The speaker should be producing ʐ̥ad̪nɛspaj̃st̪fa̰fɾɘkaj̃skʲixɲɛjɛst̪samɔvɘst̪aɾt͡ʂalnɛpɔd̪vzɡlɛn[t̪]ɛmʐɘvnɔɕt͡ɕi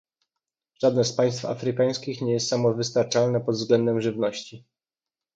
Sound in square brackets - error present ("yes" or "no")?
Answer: yes